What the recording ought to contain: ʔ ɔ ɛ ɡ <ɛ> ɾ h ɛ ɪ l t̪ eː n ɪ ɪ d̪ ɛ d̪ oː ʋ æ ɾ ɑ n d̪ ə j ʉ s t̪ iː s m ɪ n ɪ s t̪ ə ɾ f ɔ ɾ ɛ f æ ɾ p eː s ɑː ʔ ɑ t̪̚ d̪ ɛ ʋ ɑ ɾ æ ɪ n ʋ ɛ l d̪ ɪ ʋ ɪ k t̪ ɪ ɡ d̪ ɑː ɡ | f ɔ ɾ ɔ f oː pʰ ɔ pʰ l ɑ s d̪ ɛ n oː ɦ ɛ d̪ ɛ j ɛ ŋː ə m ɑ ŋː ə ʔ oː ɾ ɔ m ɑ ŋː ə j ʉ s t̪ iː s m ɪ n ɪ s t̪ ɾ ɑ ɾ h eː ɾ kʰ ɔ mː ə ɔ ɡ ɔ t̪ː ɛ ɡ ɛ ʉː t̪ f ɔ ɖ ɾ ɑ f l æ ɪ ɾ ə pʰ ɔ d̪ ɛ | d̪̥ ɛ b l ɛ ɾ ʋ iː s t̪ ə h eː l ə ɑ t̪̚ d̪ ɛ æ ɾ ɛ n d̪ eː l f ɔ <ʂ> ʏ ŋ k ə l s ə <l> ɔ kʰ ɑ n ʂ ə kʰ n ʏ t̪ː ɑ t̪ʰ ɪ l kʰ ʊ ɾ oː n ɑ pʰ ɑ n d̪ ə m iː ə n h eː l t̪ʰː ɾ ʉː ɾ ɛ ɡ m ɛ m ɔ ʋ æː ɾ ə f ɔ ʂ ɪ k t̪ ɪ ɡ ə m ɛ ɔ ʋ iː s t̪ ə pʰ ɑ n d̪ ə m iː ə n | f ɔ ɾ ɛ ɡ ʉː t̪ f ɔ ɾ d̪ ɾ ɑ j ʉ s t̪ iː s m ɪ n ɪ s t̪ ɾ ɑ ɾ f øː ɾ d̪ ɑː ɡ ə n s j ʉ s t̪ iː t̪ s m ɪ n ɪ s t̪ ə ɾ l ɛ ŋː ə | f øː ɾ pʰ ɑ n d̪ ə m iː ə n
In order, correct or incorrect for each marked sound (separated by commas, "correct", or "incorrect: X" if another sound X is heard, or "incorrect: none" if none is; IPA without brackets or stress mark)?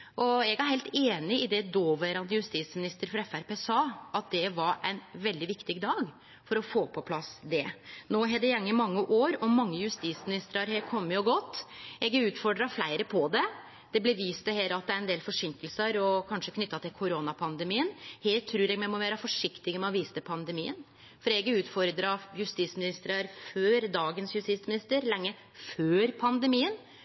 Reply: incorrect: æ, correct, incorrect: ɾ